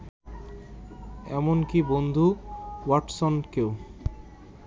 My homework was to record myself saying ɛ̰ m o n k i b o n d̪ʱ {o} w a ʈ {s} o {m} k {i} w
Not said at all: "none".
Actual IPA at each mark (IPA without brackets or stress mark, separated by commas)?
u, s, n, e